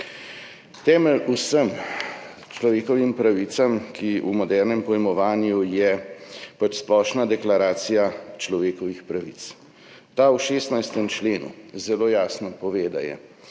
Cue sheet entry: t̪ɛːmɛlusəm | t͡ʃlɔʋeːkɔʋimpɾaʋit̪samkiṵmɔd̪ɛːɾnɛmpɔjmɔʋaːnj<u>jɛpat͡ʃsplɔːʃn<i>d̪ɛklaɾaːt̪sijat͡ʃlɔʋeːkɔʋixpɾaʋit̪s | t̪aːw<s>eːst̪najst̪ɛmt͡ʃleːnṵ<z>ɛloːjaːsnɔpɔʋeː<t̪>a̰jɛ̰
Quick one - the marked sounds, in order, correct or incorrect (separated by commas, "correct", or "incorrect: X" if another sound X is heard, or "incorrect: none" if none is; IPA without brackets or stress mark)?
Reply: correct, incorrect: a, incorrect: ʃ, correct, incorrect: d̪